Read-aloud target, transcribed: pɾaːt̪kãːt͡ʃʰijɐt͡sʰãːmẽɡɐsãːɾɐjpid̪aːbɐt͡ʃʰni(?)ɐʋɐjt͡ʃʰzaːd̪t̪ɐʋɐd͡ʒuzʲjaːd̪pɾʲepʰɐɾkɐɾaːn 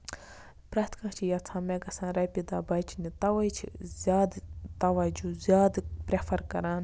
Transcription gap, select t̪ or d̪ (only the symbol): t̪